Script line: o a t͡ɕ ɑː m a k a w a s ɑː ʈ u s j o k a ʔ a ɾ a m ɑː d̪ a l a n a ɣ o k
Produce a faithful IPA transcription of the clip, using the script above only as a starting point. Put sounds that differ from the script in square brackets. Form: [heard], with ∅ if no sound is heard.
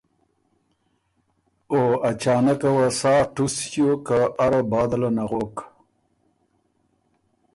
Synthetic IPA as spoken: o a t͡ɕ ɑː [n] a k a w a s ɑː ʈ u s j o k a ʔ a ɾ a [b] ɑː d̪ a l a n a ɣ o k